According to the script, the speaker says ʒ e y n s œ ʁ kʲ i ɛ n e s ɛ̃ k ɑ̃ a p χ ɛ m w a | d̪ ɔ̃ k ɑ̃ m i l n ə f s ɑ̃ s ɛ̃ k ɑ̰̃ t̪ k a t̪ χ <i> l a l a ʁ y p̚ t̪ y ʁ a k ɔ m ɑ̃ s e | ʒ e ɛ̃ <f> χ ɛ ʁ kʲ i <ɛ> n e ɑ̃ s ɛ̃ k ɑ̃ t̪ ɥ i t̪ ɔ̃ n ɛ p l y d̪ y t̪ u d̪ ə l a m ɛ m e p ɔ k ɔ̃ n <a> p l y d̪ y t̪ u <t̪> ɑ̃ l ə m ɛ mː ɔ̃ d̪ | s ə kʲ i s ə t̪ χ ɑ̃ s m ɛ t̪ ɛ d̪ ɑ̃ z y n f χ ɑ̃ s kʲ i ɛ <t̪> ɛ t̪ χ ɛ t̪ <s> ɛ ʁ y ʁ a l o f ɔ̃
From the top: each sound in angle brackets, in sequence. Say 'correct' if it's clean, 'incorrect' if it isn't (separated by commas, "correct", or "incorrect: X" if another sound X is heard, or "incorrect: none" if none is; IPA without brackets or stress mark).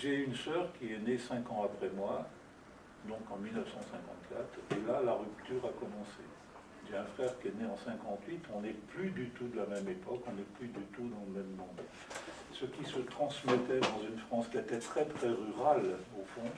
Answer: incorrect: e, correct, correct, incorrect: ɛ, incorrect: d̪, correct, incorrect: χ